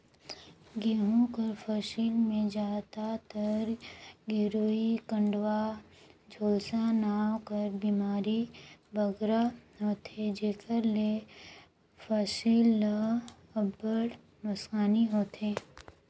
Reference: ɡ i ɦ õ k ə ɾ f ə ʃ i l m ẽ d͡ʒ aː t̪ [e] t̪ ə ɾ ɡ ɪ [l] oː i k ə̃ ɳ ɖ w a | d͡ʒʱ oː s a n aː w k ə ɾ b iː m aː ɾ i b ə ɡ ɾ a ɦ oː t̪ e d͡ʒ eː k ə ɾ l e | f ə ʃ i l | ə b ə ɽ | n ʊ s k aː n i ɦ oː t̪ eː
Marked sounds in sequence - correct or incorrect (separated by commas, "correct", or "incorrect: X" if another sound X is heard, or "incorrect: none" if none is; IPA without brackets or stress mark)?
incorrect: a, incorrect: ɾ